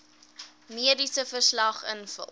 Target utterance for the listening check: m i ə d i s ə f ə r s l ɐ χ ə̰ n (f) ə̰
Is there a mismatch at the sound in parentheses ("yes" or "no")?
no